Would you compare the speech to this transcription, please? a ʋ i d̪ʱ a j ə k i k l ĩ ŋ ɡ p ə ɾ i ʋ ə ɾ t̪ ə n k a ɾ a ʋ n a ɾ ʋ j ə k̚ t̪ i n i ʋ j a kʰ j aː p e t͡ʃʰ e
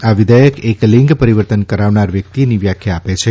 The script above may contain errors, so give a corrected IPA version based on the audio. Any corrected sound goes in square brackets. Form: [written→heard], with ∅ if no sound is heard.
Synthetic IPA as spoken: a ʋ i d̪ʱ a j ə k [i→e] k l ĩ ŋ ɡ p ə ɾ i ʋ ə ɾ t̪ ə n k [a→ə] ɾ a ʋ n a ɾ ʋ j ə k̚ t̪ i n i ʋ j a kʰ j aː p e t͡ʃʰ e